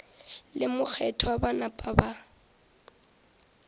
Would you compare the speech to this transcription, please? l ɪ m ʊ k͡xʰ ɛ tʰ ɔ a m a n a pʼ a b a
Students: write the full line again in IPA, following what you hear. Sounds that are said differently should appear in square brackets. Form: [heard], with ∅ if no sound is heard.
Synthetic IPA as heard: l ɪ m ʊ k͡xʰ ɛ tʰ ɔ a [b] a n a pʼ a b a